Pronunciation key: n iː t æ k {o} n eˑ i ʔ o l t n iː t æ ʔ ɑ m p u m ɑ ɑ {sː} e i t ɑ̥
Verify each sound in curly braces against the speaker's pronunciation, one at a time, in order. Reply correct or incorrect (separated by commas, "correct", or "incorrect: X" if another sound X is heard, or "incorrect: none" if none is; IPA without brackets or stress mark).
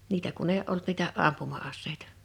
incorrect: u, correct